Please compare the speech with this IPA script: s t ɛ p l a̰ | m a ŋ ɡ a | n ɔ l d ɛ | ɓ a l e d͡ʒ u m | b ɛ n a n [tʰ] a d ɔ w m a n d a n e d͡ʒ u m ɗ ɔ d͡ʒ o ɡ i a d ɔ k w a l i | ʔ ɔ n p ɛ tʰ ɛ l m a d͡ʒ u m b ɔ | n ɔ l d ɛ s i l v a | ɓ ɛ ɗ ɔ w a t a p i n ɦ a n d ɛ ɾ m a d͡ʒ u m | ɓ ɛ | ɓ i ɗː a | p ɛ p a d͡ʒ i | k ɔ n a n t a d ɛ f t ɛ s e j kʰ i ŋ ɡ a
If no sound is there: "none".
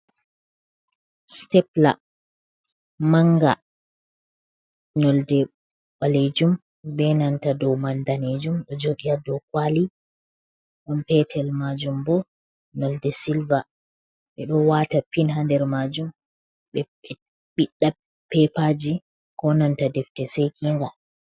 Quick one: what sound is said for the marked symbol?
t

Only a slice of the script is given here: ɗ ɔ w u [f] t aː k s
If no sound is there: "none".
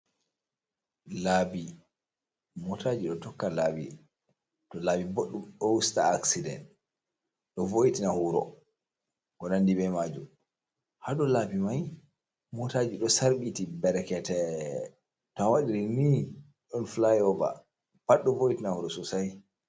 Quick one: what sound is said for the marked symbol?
s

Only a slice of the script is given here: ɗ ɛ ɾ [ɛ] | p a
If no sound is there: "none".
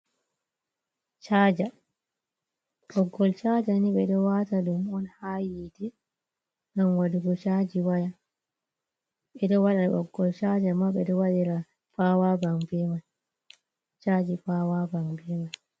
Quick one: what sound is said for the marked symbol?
a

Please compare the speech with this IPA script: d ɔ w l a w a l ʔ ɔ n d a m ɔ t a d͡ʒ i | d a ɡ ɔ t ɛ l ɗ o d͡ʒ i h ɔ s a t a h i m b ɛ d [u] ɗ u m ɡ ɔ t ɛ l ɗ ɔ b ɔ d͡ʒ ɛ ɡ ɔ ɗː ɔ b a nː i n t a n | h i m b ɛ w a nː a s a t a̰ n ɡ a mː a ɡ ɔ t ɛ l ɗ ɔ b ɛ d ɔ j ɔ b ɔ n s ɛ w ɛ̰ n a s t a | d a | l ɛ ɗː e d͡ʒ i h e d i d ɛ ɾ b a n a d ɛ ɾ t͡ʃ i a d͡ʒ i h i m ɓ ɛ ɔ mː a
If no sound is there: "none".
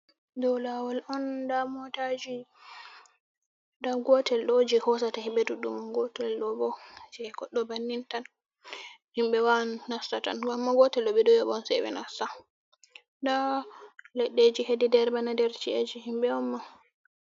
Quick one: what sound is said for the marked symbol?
u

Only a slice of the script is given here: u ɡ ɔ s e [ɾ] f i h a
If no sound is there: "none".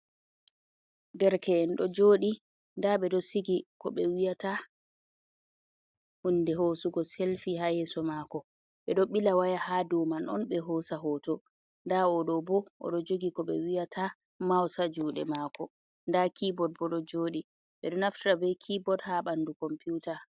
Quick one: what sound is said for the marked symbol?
l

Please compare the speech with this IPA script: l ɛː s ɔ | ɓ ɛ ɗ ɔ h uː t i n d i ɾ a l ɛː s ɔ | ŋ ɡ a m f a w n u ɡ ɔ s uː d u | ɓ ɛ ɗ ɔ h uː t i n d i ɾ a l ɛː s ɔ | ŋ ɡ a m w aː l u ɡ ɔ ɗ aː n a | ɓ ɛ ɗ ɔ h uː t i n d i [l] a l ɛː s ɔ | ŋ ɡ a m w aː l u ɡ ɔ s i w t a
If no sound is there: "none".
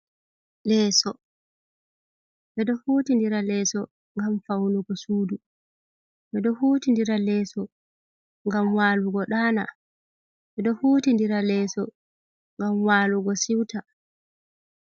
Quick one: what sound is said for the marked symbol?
ɾ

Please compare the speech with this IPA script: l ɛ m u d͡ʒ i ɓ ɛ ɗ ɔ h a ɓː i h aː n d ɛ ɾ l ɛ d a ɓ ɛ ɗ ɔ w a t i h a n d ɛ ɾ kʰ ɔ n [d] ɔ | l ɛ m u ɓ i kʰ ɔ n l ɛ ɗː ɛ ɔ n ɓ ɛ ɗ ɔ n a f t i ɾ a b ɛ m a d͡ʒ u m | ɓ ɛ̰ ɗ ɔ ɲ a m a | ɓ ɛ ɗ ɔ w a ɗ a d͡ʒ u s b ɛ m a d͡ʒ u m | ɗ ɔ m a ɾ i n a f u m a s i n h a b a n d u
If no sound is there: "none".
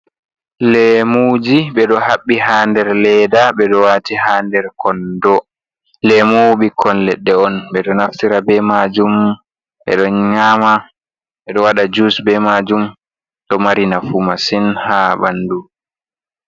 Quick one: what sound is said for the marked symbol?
d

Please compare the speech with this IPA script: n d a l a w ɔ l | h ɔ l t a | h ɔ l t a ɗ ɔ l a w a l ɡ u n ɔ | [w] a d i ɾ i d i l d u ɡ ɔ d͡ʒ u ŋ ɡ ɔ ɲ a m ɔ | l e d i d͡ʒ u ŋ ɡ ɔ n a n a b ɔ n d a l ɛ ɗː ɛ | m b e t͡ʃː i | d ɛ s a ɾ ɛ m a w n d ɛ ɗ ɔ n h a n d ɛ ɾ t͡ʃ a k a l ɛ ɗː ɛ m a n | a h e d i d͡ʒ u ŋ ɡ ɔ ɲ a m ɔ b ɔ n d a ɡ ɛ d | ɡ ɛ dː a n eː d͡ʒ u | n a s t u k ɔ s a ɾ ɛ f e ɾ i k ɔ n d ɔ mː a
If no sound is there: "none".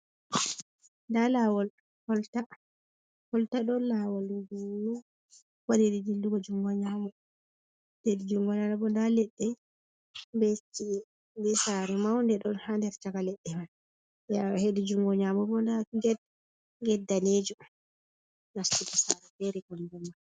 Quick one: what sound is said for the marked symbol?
w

